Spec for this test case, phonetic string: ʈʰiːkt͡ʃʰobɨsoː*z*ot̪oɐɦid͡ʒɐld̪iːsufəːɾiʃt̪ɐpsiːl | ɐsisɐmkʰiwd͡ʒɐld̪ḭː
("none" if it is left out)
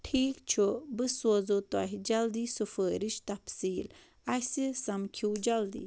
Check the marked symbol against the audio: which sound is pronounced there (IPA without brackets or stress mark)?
z